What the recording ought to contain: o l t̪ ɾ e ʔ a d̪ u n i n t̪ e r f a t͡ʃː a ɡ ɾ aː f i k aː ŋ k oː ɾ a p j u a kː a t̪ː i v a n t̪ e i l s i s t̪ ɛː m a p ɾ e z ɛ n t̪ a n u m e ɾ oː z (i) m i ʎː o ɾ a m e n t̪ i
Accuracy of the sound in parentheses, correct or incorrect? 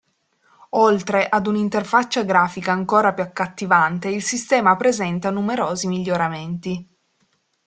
correct